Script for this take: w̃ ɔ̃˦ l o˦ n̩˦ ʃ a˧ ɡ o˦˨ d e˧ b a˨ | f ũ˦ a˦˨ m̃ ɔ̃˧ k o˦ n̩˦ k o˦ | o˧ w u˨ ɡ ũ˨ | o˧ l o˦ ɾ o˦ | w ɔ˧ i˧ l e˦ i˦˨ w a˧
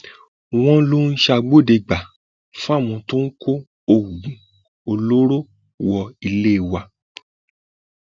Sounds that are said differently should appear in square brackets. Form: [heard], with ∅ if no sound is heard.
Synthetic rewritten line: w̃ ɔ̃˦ l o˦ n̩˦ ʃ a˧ [ɡ͡b] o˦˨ d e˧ [ɡ͡b] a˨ | f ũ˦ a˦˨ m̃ ɔ̃˧ [t] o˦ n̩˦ k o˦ | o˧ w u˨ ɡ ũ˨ | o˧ l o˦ ɾ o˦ | w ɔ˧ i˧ l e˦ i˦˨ w a˧